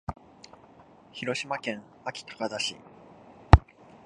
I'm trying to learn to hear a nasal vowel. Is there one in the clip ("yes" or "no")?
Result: yes